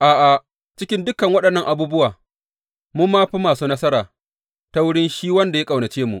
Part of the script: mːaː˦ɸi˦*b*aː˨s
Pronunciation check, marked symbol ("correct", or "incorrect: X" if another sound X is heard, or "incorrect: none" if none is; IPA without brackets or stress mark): incorrect: m